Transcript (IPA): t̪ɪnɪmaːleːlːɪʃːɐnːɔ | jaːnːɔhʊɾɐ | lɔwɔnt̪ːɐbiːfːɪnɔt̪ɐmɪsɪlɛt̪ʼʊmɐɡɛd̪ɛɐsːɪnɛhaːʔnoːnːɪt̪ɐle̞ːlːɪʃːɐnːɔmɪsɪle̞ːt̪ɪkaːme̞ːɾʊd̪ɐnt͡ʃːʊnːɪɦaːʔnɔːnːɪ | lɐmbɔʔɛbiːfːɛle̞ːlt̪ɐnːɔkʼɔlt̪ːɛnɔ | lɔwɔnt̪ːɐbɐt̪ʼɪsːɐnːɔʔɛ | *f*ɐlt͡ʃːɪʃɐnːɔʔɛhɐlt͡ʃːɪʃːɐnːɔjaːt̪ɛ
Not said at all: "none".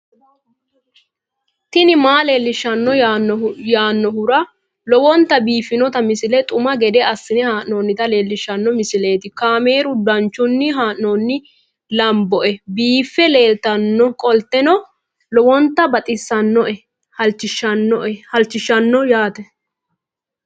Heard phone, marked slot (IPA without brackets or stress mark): h